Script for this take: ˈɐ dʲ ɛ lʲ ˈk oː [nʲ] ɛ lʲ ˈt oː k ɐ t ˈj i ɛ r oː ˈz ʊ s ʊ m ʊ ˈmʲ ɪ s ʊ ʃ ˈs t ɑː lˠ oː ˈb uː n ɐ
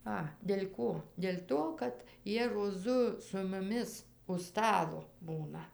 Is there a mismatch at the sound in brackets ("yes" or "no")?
yes